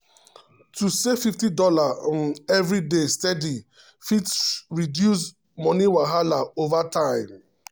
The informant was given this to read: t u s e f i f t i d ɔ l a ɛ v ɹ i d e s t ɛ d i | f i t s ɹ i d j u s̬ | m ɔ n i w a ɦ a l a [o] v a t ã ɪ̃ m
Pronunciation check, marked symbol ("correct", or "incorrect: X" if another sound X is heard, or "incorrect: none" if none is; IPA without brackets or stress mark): correct